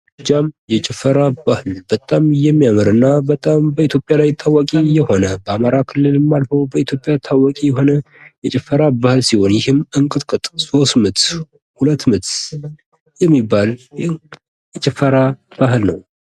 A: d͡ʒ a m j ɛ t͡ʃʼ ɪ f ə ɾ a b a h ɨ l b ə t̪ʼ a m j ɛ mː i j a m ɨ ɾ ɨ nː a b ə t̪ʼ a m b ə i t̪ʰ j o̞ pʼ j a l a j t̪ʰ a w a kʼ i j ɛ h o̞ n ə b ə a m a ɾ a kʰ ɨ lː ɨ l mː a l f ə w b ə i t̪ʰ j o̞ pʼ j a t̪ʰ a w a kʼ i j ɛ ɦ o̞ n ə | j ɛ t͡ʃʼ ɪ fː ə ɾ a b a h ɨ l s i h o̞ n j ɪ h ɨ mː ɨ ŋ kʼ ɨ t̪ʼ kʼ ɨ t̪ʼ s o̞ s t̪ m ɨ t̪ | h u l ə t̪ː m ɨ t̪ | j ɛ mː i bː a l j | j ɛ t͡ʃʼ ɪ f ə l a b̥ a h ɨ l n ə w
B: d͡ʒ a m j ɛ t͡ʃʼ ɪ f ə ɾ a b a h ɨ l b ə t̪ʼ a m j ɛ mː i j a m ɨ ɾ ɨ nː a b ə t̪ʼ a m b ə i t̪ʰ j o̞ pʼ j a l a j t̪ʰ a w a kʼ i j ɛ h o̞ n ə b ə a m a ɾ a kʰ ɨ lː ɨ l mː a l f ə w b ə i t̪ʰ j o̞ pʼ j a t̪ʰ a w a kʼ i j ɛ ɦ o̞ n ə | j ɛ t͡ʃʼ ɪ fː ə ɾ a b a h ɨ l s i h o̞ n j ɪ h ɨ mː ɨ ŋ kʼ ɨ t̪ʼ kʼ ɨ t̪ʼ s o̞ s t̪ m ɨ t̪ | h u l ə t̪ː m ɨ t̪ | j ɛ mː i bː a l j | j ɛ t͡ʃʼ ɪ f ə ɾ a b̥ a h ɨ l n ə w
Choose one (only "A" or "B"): B